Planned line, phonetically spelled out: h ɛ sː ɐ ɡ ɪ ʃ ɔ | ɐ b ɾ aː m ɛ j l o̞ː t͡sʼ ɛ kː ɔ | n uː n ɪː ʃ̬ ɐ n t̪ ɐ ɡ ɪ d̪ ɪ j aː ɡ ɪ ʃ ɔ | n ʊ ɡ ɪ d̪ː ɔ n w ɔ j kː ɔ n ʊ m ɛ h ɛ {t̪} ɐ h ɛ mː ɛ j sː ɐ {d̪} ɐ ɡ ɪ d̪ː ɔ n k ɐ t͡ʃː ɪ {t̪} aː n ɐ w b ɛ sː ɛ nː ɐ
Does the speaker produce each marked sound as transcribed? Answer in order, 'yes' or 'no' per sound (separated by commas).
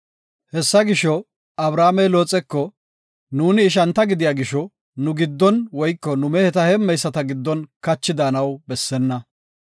yes, no, no